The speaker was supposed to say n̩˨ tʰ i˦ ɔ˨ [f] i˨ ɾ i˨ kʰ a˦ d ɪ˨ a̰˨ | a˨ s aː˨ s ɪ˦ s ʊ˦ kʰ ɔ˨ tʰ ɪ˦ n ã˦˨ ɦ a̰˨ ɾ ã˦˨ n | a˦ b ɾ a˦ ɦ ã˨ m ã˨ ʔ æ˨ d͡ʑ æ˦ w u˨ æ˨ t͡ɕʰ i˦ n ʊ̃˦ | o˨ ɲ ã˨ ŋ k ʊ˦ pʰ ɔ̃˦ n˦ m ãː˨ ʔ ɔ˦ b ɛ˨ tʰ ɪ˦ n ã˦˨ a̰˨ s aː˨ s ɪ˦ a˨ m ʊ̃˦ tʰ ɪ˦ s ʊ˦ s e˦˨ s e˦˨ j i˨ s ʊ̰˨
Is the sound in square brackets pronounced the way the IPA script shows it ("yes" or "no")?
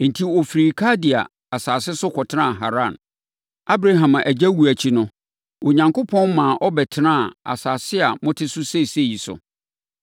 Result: yes